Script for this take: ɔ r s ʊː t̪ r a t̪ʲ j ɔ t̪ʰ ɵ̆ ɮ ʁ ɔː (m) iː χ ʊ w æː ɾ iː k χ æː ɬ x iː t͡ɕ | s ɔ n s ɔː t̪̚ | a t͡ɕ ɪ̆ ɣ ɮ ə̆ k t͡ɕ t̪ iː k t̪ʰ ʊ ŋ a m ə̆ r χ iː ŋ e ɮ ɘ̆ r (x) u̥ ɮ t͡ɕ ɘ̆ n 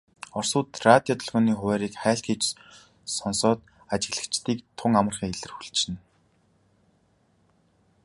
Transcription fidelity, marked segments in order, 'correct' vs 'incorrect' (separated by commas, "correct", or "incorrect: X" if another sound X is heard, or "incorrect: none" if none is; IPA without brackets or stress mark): incorrect: n, correct